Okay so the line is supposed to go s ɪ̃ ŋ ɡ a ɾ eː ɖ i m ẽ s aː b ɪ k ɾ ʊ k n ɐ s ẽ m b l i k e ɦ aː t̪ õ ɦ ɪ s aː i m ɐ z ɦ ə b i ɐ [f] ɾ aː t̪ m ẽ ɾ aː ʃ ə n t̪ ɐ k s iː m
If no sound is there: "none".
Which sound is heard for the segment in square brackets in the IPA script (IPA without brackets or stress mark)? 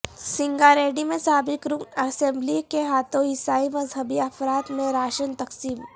f